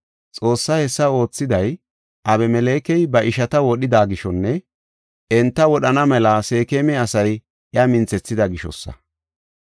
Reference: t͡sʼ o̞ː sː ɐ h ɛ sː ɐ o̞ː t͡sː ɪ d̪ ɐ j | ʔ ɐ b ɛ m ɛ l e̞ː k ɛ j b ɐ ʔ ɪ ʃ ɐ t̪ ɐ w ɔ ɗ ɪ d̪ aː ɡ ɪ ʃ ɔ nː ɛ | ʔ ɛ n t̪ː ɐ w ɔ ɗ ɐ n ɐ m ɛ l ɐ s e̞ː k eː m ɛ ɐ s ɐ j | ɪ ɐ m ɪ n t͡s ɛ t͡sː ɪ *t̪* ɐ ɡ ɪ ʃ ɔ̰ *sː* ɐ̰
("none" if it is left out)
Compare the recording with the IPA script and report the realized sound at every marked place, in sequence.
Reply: d̪, sː

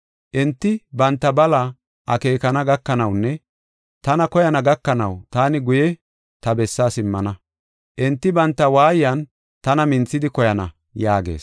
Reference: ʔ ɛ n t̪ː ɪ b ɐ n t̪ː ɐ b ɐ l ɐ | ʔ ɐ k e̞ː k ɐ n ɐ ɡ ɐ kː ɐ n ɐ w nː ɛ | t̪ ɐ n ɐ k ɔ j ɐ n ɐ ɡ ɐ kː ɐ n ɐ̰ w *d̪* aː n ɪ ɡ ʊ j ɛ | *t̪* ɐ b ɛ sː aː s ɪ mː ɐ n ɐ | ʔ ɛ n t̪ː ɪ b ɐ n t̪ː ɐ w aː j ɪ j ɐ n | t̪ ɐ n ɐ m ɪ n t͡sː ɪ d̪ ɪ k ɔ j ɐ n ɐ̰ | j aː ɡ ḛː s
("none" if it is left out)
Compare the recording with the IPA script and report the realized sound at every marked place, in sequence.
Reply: t̪, t̪

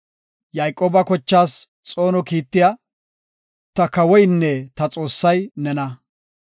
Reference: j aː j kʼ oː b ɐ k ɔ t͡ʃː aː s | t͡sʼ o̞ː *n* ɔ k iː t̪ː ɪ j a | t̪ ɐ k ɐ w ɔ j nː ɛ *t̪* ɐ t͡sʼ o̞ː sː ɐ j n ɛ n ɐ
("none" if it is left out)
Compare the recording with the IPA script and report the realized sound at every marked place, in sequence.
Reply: n, t̪

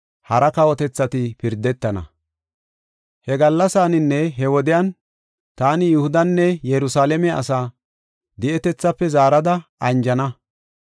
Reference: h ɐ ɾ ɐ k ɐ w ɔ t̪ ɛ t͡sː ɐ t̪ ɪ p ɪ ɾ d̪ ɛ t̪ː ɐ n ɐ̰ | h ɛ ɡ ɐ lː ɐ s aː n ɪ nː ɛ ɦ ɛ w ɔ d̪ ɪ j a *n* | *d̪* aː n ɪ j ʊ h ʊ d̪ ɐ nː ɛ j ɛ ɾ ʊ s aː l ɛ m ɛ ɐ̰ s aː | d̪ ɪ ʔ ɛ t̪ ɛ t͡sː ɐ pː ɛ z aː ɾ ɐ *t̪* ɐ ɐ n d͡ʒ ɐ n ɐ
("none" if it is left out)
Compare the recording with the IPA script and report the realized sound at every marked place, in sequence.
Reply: n, t̪, d̪

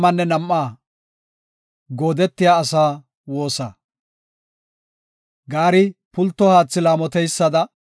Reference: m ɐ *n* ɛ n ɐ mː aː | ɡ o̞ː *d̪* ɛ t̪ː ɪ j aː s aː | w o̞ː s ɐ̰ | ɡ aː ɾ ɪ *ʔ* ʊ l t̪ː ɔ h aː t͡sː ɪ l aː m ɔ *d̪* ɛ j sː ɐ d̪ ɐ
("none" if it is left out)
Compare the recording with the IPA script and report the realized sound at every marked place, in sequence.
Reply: nː, d̪, p, t̪

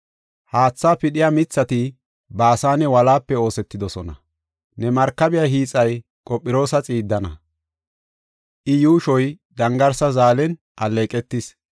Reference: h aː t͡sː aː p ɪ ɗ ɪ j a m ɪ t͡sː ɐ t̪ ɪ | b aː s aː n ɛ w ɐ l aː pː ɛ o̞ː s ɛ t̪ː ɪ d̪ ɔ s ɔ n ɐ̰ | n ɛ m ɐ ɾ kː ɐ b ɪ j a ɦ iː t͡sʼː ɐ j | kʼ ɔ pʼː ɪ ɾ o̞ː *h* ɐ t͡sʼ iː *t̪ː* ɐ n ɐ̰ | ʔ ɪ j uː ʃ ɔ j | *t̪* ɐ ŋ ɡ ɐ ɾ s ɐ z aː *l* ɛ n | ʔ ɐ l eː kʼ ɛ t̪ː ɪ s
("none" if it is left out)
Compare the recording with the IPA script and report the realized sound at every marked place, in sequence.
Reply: s, d̪ː, d̪, l

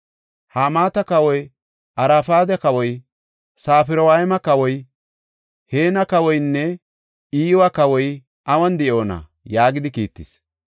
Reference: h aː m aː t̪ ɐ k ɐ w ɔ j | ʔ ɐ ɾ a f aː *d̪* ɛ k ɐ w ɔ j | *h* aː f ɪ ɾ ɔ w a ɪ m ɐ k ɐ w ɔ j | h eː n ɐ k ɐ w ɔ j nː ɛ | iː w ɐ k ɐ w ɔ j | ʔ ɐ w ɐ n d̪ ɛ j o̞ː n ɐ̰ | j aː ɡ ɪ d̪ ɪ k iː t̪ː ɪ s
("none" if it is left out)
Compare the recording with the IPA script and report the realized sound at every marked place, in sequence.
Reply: d̪, s

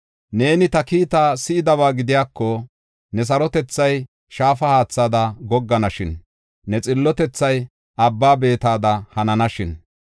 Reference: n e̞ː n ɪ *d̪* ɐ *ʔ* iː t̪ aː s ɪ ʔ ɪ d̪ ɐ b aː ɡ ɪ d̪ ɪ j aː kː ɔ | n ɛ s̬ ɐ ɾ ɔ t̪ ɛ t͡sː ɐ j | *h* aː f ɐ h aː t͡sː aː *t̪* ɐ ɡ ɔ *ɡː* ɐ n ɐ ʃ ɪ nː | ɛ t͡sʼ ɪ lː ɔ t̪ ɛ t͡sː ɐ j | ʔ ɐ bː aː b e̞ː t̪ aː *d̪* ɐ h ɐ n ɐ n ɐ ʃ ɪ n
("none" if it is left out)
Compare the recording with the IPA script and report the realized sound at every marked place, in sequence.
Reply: t̪, k, ʃ, d̪, ɡː, d̪

